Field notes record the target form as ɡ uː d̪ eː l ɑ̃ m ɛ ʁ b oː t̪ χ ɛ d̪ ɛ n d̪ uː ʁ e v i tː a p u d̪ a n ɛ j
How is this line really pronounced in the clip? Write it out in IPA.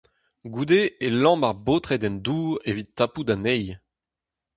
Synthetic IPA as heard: ɡ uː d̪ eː l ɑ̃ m a ʁ b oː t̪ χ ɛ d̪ ɛ n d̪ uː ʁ e v i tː a p u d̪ a n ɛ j